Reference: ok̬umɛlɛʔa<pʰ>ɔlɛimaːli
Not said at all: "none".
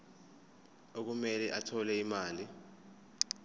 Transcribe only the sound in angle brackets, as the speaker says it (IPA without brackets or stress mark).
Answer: tʰ